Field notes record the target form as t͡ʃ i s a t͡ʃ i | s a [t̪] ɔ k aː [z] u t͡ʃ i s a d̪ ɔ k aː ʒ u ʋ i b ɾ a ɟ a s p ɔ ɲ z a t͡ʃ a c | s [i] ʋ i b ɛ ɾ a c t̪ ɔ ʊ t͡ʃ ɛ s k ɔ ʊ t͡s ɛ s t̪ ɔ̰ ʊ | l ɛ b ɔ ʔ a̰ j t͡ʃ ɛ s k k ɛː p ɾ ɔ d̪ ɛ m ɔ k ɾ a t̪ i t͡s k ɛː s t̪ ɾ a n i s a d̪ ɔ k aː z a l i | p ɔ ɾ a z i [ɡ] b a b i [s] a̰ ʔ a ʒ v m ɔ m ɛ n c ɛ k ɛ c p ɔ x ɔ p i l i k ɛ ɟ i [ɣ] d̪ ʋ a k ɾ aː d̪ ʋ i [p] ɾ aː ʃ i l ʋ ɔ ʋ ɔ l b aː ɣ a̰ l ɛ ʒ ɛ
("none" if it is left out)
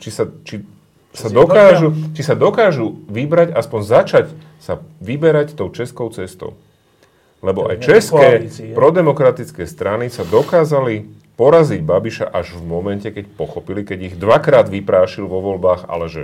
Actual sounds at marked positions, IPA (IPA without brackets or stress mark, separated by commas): d̪, ʒ, a, ɟ, ʃ, ɣ, p